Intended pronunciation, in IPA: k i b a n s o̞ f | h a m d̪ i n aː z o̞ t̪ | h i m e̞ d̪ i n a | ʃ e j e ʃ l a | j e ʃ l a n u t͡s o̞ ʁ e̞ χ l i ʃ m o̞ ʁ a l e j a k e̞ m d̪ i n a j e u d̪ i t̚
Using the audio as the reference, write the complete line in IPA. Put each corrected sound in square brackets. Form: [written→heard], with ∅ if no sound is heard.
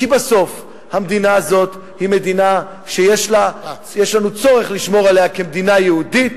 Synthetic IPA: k i b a [n→∅] s o̞ f | h a m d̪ i n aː z o̞ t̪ | h i m e̞ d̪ i n a | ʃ e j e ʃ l a | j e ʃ l a n u t͡s o̞ ʁ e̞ χ l i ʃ m o̞ ʁ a l e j a k e̞ m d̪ i n a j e u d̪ i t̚